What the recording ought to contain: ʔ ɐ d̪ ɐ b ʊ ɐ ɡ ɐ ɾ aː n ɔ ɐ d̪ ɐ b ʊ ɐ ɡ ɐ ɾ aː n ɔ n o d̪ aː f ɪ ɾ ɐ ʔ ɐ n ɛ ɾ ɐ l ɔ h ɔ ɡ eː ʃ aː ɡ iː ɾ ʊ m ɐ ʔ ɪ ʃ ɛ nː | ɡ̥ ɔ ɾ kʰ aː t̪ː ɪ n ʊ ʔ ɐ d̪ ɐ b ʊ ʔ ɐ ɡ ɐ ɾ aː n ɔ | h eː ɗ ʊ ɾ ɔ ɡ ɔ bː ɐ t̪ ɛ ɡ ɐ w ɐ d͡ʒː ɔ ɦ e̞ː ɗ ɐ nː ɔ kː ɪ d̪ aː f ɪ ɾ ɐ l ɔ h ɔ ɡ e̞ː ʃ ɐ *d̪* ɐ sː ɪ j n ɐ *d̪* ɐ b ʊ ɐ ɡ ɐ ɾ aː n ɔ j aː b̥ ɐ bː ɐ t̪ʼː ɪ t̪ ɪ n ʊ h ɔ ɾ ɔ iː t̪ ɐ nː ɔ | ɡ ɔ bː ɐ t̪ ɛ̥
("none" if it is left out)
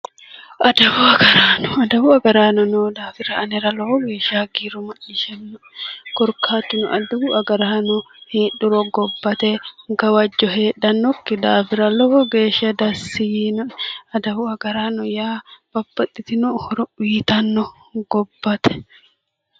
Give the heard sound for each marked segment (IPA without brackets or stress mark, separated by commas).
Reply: d̪, d̪